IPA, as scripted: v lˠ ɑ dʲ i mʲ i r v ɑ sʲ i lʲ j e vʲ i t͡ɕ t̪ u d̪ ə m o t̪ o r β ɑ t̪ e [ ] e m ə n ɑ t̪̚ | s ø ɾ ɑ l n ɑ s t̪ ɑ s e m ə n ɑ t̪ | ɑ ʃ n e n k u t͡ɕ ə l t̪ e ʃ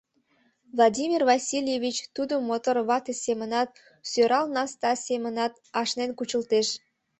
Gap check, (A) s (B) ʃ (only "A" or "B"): A